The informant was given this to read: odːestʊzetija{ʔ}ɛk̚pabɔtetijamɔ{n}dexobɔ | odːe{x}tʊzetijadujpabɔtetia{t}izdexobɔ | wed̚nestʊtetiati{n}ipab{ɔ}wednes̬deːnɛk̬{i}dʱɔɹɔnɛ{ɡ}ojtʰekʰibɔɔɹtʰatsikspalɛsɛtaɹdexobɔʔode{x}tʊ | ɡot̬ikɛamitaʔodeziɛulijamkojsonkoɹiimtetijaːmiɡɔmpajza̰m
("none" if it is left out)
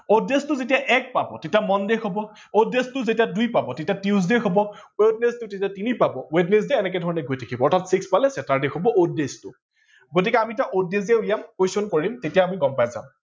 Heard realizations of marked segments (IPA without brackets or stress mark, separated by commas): ʔ, n, s, t, n, ɔ, ɛ, ɡ, s